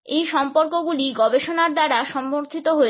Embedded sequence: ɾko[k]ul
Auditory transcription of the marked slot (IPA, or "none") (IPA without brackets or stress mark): ɡ